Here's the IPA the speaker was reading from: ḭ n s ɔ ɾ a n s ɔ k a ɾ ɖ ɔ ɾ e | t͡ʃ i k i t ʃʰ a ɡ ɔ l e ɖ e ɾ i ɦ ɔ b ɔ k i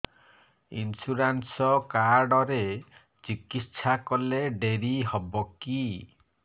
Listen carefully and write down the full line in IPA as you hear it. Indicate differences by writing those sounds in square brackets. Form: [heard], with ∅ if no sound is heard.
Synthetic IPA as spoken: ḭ n s [u] ɾ a n s ɔ k a ɾ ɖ ɔ ɾ e | t͡ʃ i k i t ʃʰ a [k] ɔ l e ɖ e ɾ i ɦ ɔ b ɔ k i